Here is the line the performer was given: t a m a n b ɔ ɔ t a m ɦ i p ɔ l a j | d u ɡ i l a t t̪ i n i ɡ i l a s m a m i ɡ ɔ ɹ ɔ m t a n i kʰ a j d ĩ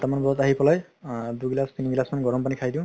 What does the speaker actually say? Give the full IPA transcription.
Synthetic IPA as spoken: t a m a n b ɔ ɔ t a ɦ i p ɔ l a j | d u ɡ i l a s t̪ i n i ɡ i l a s m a n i ɡ ɔ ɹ ɔ m p a n i kʰ a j d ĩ